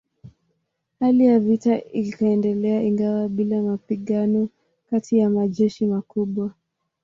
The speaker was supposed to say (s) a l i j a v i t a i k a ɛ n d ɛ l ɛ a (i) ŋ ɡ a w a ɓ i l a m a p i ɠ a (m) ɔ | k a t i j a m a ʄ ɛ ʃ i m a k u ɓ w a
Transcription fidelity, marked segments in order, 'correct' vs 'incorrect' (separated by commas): incorrect, correct, incorrect